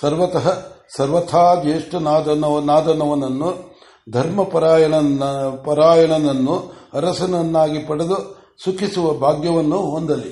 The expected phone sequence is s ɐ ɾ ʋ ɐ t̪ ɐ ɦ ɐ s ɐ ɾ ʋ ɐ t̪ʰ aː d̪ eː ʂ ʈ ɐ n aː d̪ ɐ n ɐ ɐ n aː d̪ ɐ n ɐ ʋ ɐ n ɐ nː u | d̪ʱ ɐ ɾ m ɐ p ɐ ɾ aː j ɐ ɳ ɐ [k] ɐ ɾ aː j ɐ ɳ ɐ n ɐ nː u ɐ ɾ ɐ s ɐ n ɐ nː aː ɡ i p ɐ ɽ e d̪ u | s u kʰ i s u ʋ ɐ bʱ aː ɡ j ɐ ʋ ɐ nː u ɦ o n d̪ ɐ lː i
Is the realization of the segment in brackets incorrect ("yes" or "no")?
yes